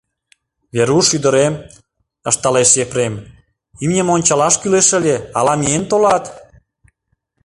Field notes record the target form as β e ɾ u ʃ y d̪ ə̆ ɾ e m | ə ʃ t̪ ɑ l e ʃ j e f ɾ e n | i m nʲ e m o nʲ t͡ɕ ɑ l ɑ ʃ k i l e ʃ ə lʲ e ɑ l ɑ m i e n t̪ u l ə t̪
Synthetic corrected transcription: β e ɾ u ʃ y d̪ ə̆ ɾ e m | ə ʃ t̪ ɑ l e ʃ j e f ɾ e m | i m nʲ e m o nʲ t͡ɕ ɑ l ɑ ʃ k y l e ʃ ə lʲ e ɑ l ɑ m i e n t̪ o l ɑ t̪